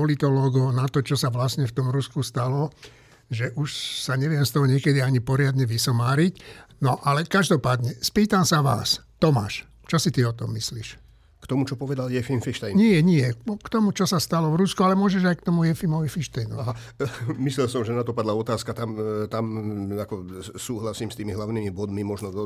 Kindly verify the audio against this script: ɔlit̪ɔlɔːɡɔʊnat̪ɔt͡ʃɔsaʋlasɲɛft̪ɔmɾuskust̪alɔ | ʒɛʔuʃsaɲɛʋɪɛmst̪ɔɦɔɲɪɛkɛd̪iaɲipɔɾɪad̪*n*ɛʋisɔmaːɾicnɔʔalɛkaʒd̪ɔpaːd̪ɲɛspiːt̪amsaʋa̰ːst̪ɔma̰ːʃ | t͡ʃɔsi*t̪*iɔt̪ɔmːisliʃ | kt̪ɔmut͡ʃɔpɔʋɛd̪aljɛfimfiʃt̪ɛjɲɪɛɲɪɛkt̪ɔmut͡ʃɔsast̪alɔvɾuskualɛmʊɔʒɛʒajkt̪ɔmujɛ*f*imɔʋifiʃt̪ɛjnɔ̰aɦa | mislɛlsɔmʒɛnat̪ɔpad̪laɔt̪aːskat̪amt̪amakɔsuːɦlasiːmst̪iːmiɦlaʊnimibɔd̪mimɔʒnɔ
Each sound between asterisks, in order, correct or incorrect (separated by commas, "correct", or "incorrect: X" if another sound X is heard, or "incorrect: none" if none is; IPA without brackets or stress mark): incorrect: ɲ, correct, correct